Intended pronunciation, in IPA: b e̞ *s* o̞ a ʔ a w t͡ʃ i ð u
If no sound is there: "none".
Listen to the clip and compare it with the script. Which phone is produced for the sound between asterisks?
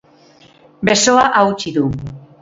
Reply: s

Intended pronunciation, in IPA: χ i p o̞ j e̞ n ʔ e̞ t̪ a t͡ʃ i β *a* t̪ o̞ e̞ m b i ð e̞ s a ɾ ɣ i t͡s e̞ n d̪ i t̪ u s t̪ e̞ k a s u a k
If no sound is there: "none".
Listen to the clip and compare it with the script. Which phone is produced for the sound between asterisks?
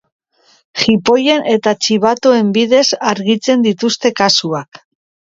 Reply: a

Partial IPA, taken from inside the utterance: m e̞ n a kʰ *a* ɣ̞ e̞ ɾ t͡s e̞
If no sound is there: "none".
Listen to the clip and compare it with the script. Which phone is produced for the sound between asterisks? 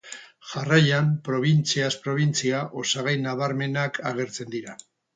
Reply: a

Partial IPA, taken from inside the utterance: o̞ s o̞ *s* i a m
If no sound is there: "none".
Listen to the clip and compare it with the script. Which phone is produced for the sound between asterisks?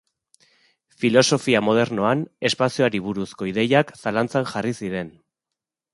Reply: f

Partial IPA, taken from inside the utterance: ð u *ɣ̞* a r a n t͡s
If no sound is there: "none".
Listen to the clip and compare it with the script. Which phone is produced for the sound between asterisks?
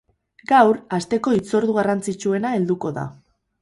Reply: ɣ̞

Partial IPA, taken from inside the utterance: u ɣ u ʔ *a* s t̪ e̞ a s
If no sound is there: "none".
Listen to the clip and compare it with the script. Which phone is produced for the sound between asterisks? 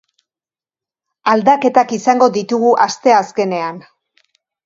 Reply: a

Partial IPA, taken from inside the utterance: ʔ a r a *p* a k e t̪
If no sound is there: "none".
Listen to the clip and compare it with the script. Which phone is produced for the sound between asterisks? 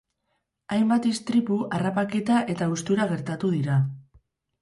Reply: p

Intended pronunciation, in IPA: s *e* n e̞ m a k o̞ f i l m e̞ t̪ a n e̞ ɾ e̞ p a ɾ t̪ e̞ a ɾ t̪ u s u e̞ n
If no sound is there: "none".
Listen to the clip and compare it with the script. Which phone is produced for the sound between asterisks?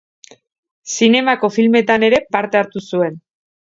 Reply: i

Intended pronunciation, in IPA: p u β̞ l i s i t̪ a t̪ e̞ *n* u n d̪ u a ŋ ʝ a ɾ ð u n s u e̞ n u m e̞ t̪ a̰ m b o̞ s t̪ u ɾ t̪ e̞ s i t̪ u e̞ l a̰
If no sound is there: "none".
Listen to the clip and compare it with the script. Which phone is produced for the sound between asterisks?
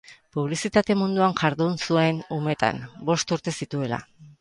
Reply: m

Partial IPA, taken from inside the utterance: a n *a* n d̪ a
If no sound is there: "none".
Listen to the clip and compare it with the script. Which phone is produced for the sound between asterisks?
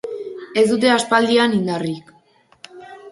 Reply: i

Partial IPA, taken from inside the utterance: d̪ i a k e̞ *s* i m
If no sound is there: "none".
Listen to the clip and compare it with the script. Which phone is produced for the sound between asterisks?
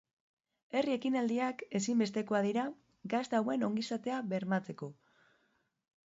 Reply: s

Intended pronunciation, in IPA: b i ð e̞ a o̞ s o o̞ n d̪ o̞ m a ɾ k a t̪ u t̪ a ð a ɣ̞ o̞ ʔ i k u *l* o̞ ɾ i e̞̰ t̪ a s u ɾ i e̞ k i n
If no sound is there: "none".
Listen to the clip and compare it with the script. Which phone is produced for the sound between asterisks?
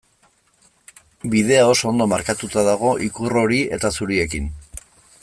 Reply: r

